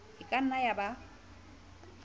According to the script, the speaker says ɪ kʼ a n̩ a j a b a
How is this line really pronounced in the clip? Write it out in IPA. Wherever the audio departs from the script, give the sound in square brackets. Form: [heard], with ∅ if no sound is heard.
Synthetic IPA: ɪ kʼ a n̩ a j a b a